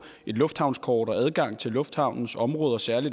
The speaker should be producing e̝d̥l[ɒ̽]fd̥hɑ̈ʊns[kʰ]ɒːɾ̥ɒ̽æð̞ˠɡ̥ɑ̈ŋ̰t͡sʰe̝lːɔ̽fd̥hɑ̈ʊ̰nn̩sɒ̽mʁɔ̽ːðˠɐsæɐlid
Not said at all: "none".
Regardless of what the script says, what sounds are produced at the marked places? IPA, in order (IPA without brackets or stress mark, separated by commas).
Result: ɔ̽, kʰ